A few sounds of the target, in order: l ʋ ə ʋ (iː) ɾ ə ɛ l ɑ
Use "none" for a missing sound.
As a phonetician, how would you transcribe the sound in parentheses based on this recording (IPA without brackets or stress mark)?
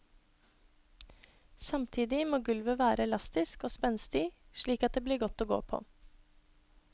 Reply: æː